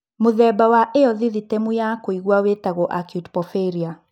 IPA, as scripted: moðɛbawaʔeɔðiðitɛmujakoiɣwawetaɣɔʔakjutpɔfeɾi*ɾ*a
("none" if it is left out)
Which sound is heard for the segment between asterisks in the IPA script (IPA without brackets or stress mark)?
none